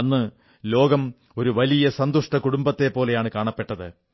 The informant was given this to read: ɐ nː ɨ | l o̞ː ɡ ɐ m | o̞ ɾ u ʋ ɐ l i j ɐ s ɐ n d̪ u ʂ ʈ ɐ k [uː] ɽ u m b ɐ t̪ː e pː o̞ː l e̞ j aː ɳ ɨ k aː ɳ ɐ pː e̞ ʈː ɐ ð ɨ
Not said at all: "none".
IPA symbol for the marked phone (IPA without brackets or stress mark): u